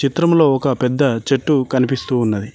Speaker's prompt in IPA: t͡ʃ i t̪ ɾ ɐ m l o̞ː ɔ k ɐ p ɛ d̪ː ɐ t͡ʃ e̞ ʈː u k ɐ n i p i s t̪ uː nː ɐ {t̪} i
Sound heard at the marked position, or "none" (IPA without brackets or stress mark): d̪